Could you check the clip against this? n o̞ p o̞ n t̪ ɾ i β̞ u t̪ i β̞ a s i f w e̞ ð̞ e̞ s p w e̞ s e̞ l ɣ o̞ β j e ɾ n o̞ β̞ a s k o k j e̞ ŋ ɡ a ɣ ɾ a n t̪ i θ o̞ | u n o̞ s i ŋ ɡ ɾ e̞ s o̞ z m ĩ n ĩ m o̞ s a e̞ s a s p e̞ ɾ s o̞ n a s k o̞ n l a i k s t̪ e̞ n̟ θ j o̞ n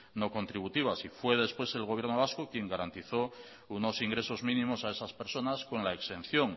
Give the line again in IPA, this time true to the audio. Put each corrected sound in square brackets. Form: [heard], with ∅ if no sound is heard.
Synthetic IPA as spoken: n o̞ [k] o̞ n t̪ ɾ i β̞ u t̪ i β̞ a s i f w e̞ ð̞ e̞ s p w e̞ s e̞ l ɣ o̞ β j e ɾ n o̞ β̞ a s k o k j e̞ ŋ ɡ a [∅] ɾ a n t̪ i θ o̞ | u n o̞ s i ŋ ɡ ɾ e̞ s o̞ z m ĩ n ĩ m o̞ s a e̞ s a s p e̞ ɾ s o̞ n a s k o̞ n l a [e] k s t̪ e̞ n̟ θ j o̞ [ŋ]

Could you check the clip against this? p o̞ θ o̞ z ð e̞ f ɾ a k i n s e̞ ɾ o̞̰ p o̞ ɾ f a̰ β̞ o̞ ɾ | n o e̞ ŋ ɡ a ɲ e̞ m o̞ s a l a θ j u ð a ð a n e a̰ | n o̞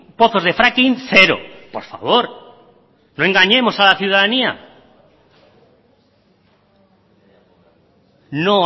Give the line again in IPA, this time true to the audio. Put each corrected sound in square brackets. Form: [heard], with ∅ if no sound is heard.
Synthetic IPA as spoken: p o̞ θ o̞ z ð e̞ f ɾ a k i n [θ] e̞ ɾ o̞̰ p o̞ ɾ f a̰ β̞ o̞ ɾ | n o e̞ ŋ ɡ a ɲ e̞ m o̞ s a l a θ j u ð a ð a n [i] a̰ | n o̞

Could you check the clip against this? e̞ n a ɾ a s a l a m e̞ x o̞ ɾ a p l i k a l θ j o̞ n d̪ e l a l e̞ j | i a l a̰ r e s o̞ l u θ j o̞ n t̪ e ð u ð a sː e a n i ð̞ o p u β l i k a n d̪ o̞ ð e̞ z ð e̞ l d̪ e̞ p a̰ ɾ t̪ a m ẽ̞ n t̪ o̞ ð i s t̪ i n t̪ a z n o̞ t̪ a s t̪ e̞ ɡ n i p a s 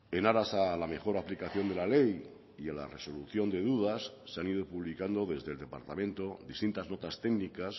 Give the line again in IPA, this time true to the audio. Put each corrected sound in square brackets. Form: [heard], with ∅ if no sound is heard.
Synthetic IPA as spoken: e̞ n a ɾ a s a l a m e̞ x o̞ ɾ a p l i k a [∅] θ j o̞ n d̪ e l a l e̞ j | i a l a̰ r e s o̞ l u θ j o̞ n [d̪] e ð u ð a sː e a n i ð̞ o p u β l i k a n d̪ o̞ ð e̞ z ð e̞ l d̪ e̞ p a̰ ɾ t̪ a m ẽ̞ n t̪ o̞ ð i s t̪ i n t̪ a z n o̞ t̪ a s t̪ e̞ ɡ n i [k] a s

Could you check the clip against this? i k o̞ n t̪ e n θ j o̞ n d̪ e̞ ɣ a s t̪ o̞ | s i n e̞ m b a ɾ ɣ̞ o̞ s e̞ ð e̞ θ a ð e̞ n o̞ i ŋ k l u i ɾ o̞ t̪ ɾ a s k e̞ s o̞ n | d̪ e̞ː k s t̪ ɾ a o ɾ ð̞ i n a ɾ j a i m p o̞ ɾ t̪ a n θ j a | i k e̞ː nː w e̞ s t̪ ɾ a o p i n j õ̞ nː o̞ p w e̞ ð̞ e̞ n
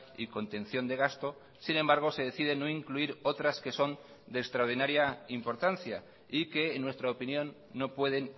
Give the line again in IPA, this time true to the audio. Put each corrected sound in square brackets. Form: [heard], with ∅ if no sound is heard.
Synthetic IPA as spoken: i k o̞ n t̪ e n θ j o̞ n d̪ e̞ ɣ a s t̪ o̞ | s i n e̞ m b a ɾ ɣ̞ o̞ s e̞ ð e̞ θ [i] ð e̞ n o̞ i ŋ k l u i ɾ o̞ t̪ ɾ a s k e̞ s o̞ n | d̪ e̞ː k s t̪ ɾ a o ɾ ð̞ i n a ɾ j a i m p o̞ ɾ t̪ a n θ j a | i k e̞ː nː w e̞ s t̪ ɾ a o p i n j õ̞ nː o̞ p w e̞ ð̞ e̞ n

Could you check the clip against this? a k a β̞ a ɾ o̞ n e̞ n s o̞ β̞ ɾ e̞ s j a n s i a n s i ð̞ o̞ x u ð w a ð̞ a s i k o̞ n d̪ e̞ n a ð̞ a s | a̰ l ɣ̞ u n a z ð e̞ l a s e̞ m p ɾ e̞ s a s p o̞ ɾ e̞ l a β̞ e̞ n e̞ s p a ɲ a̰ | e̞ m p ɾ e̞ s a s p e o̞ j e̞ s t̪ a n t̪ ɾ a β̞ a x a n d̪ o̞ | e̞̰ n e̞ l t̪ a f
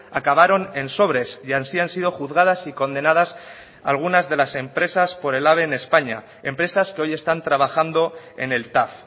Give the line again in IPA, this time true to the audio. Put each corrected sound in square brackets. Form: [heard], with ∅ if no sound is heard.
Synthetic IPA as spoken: a k a β̞ a ɾ o̞ n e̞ n s o̞ β̞ ɾ e̞ s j a n s i a n s i ð̞ o̞ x u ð [ɣ] a ð̞ a s i k o̞ n d̪ e̞ n a ð̞ a s | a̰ l ɣ̞ u n a z ð e̞ l a s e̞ m p ɾ e̞ s a s p o̞ ɾ e̞ l a β̞ e̞ n e̞ s p a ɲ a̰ | e̞ m p ɾ e̞ s a s [k] e o̞ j e̞ s t̪ a n t̪ ɾ a β̞ a x a n d̪ o̞ | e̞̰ n e̞ l t̪ a f

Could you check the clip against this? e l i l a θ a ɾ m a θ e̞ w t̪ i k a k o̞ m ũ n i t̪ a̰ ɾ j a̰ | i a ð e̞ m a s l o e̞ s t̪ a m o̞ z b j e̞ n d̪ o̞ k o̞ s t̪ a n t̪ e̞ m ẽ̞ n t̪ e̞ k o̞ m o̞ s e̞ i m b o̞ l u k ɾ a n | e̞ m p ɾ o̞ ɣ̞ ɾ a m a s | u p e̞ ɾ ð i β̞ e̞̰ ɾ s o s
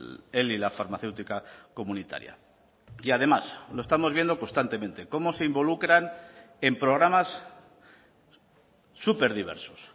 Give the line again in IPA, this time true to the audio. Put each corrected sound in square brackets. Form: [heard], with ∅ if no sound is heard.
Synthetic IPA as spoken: e l i l a [f] a ɾ m a θ e̞ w t̪ i k a k o̞ m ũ n i t̪ a̰ ɾ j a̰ | i a ð e̞ m a s l o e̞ s t̪ a m o̞ z [β] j e̞ n d̪ o̞ k o̞ s t̪ a n t̪ e̞ m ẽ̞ n t̪ e̞ k o̞ m o̞ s e̞ i m b o̞ l u k ɾ a n | e̞ m p ɾ o̞ ɣ̞ ɾ a m a s | u p e̞ ɾ ð i β̞ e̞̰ ɾ s o s

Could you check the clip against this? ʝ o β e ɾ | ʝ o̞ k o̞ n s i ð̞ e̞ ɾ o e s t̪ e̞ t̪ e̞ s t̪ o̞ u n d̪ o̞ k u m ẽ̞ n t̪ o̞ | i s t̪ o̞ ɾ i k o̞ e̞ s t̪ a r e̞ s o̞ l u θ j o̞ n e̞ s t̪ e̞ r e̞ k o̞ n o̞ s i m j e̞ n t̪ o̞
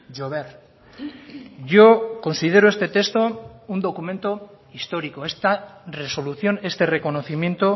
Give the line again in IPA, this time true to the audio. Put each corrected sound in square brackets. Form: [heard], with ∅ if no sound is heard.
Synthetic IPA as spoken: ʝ o β e ɾ | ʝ o̞ k o̞ n s i ð̞ e̞ ɾ o e s t̪ e̞ t̪ e̞ s t̪ o̞ u n d̪ o̞ k u m ẽ̞ n t̪ o̞ | i s t̪ o̞ ɾ i k o̞ e̞ s t̪ a r e̞ s o̞ l u θ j o̞ n e̞ s t̪ e̞ r e̞ k o̞ n o̞ [θ] i m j e̞ n t̪ o̞

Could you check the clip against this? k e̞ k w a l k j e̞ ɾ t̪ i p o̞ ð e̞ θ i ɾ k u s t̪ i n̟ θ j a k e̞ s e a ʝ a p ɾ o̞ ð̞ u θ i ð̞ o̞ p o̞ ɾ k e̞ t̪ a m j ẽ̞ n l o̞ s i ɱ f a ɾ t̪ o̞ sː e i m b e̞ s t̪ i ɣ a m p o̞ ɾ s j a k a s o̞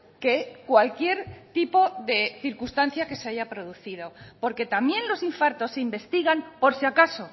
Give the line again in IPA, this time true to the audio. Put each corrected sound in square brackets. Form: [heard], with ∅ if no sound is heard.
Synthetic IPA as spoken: k e̞ k w a l k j e̞ ɾ t̪ i p o̞ ð e̞ θ i ɾ k u s t̪ [a] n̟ θ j a k e̞ s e a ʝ a p ɾ o̞ ð̞ u θ i ð̞ o̞ p o̞ ɾ k e̞ t̪ a m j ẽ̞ n l o̞ s i ɱ f a ɾ t̪ o̞ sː e i m b e̞ s t̪ i ɣ a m p o̞ ɾ s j a k a s o̞

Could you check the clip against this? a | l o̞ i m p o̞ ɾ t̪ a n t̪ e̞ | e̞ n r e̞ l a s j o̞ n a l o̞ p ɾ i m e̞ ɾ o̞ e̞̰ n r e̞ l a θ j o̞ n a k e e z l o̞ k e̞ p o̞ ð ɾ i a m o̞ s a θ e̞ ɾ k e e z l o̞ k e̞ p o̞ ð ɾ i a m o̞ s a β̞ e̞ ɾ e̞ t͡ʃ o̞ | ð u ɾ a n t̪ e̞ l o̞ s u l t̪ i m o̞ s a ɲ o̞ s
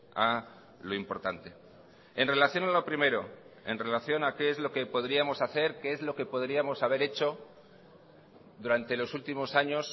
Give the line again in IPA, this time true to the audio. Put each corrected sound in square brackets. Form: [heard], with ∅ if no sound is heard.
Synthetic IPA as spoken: a | l o̞ i m p o̞ ɾ t̪ a n t̪ e̞ | e̞ n r e̞ l a [θ] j o̞ n a l o̞ p ɾ i m e̞ ɾ o̞ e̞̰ n r e̞ l a θ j o̞ n a k e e z l o̞ k e̞ p o̞ ð ɾ i a m o̞ s a θ e̞ ɾ k e e z l o̞ k e̞ p o̞ ð ɾ i a m o̞ s a β̞ e̞ ɾ e̞ t͡ʃ o̞ | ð u ɾ a n t̪ e̞ l o̞ s u l t̪ i m o̞ s a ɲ o̞ s

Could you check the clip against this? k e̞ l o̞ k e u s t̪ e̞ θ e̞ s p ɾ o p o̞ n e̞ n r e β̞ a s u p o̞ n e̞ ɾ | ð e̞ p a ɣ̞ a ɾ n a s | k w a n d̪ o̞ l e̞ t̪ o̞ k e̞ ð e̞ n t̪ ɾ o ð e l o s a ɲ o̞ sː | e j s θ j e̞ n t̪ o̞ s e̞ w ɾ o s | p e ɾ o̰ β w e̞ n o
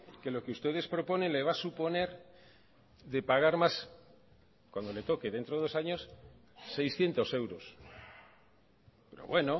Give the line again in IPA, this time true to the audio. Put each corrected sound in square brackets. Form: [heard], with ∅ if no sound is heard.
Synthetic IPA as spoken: k e̞ l o̞ k e u s t̪ e̞ [ð] e̞ s p ɾ o p o̞ n e̞ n [l] e β̞ a s u p o̞ n e̞ ɾ | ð e̞ p a ɣ̞ a ɾ [m] a s | k w a n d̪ o̞ l e̞ t̪ o̞ k e̞ ð e̞ n t̪ ɾ o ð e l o s a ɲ o̞ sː | e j s θ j e̞ n t̪ o̞ s e̞ w ɾ o s | p e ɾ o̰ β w e̞ n o

